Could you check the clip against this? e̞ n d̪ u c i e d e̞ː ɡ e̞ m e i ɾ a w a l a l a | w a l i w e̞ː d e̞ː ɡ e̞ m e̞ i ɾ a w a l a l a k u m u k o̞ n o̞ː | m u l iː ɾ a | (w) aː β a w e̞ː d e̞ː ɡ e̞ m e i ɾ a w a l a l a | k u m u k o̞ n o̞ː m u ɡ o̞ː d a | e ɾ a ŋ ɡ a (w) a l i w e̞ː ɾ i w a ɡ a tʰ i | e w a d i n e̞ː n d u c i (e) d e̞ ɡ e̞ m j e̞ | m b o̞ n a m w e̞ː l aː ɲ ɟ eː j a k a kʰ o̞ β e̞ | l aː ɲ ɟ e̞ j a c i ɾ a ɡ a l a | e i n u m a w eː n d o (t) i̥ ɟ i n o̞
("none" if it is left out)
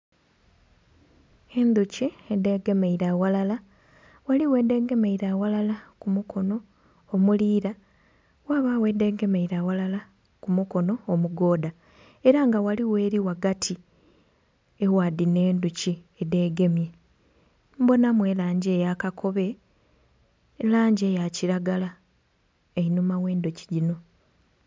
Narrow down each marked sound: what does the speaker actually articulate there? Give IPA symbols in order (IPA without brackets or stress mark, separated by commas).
w, w, e, c